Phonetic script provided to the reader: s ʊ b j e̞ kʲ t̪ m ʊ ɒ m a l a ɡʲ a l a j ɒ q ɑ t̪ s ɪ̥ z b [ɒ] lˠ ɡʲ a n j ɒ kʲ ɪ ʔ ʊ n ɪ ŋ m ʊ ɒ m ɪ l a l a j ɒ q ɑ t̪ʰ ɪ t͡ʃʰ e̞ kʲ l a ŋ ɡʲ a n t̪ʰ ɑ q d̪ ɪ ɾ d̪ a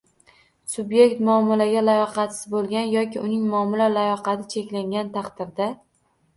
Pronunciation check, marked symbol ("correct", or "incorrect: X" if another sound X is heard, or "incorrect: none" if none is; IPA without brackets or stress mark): incorrect: o